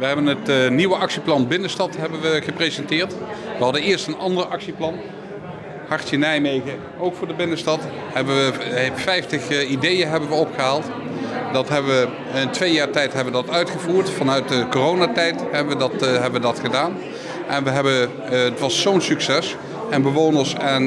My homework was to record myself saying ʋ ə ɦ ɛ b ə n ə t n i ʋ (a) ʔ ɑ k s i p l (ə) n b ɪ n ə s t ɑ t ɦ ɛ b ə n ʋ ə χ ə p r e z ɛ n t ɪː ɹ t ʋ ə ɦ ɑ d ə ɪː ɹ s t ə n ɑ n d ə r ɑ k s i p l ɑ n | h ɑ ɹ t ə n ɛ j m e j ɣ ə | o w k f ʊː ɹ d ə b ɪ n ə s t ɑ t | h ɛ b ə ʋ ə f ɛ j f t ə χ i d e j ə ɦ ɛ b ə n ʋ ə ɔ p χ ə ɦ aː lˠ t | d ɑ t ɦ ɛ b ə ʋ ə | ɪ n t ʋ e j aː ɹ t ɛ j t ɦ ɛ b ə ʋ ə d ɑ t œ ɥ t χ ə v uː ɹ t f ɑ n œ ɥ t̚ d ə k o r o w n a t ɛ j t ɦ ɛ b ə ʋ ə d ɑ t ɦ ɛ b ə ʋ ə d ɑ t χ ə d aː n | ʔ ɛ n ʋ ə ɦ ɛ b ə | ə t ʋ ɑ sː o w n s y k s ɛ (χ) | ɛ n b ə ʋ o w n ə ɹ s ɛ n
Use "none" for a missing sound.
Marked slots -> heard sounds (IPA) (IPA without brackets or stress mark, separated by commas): ə, ɑ, s